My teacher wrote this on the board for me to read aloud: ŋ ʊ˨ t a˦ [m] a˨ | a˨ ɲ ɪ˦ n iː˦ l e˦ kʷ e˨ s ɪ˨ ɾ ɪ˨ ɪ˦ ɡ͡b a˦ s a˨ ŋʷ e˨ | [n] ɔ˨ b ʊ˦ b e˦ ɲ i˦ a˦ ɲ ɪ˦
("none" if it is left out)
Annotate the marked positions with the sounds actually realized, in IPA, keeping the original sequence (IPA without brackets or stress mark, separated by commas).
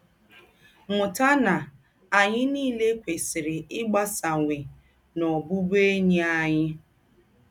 n, n